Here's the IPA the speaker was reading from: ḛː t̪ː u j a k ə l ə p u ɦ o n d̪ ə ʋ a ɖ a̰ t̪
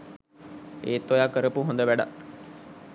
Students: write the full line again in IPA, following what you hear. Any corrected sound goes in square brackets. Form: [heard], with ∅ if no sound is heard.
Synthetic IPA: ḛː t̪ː [o] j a k ə [ɾ] ə p u ɦ o n d̪ ə ʋ [æ] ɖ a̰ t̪